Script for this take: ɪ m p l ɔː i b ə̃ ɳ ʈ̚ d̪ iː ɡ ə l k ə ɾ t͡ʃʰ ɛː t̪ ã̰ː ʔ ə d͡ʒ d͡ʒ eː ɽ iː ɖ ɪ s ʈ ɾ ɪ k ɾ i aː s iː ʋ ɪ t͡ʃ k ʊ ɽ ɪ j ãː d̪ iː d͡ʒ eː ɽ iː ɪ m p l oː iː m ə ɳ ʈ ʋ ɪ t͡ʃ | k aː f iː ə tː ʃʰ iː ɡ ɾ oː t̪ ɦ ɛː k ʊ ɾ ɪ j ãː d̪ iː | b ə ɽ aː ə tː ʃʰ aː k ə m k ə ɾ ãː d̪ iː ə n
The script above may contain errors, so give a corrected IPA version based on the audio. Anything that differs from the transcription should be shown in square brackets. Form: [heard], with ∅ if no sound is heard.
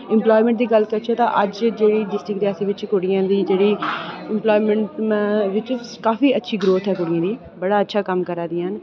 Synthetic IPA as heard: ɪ m p l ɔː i [m] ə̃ ɳ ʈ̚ d̪ iː ɡ ə l k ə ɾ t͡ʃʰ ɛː t̪ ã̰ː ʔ ə d͡ʒ d͡ʒ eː ɽ iː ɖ ɪ s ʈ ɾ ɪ k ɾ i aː s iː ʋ ɪ t͡ʃ k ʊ ɽ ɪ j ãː d̪ iː d͡ʒ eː ɽ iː ɪ m p l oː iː m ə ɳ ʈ ʋ ɪ t͡ʃ | k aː f iː ə tː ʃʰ iː ɡ ɾ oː t̪ ɦ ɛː k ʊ [ɽ] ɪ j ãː d̪ iː | b ə ɽ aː ə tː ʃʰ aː k ə m k ə ɾ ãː d̪ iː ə n